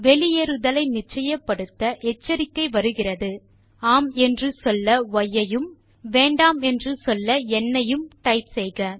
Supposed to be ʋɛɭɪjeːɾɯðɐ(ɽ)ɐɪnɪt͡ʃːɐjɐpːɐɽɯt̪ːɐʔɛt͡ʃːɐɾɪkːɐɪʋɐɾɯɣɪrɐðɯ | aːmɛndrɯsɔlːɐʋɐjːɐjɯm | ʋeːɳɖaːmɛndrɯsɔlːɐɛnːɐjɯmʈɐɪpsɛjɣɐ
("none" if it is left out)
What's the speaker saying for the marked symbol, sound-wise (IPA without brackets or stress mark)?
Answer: l